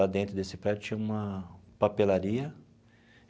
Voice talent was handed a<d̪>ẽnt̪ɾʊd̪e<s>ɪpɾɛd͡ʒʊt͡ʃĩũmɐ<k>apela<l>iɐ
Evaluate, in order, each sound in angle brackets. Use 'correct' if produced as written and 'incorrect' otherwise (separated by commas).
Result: correct, correct, incorrect, incorrect